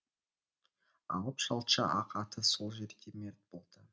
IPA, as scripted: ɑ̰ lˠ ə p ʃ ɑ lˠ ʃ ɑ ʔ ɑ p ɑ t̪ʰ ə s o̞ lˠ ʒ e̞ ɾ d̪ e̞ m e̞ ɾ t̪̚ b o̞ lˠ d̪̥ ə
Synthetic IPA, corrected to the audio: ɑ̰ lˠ ə p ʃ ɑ lˠ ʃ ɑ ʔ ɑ q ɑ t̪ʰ ə s o̞ lˠ ʒ e̞ ɾ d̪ e̞ m e̞ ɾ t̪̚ b o̞ lˠ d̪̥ ə